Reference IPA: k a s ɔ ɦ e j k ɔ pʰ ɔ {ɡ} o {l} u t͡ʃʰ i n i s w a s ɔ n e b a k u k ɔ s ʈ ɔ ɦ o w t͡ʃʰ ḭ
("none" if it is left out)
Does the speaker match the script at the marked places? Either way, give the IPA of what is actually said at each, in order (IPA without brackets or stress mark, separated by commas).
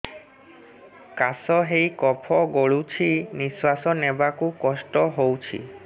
ɡ, ɭ